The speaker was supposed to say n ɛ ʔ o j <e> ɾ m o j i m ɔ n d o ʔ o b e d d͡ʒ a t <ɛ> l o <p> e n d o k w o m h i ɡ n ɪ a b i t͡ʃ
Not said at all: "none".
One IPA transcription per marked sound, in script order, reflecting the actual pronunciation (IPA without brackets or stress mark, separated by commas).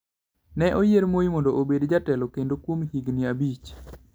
e, ɛ, k